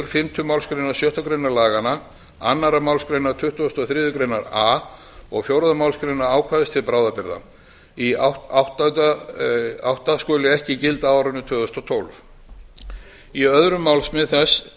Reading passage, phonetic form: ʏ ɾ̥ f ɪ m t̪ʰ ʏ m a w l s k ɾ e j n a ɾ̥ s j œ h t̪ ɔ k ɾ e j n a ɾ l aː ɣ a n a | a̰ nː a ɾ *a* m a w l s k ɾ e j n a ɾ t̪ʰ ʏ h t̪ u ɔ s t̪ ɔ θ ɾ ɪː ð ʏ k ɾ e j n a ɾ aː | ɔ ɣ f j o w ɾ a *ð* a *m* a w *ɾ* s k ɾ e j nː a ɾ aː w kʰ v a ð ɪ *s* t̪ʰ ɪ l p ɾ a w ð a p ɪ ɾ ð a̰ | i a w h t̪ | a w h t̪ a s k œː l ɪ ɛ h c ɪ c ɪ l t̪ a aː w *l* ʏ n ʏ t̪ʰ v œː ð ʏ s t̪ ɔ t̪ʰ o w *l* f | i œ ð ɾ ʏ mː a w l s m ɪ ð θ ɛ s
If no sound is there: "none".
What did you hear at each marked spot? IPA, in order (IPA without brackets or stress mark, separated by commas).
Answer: a, ð, m, l, s, ɾ, l